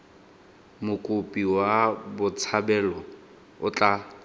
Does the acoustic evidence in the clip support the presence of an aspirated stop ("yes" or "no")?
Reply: yes